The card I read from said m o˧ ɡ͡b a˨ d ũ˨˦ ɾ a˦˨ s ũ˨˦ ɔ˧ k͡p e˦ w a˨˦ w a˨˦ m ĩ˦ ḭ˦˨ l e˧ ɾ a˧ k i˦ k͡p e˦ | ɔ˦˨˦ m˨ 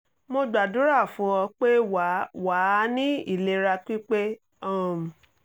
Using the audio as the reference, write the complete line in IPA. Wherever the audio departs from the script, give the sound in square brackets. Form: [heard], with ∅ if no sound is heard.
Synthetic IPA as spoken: m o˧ ɡ͡b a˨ d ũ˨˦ ɾ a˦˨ [f] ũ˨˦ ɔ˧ k͡p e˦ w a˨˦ w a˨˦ [n] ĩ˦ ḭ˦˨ l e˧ ɾ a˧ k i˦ k͡p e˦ | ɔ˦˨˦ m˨